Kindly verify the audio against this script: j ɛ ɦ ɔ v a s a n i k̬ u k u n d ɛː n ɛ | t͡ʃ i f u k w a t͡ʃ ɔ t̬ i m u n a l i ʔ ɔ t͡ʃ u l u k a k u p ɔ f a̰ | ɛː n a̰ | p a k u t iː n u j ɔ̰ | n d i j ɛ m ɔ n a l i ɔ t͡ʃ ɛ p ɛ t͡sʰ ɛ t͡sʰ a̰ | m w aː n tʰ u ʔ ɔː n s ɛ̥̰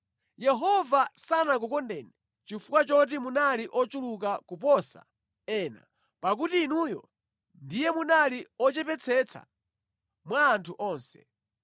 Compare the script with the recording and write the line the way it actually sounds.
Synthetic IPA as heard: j ɛ ɦ ɔ v a s a n a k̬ u k ɔ n d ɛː n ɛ | t͡ʃ i f u k w a t͡ʃ ɔ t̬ i m u n a l i ʔ ɔ t͡ʃ u l u k a k u p ɔ s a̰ | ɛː n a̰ | p a k u t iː n u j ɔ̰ | n d i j ɛ m u n a l i ɔ t͡ʃ ɛ p ɛ t͡sʰ ɛ t͡sʰ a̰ | m w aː n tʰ u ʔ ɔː n s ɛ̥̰